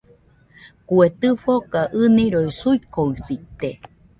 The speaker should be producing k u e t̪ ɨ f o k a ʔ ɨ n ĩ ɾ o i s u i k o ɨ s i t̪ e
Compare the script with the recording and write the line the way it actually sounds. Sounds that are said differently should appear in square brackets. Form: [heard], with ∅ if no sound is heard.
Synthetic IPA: k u e t̪ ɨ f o k a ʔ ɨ n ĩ ɾ o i s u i k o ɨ s i t̪ e